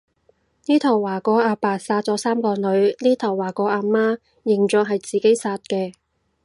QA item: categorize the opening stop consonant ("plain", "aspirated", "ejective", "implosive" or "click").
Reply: aspirated